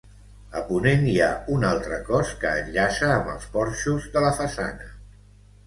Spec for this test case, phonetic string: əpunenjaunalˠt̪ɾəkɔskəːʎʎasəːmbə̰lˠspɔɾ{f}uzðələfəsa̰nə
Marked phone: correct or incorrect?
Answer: incorrect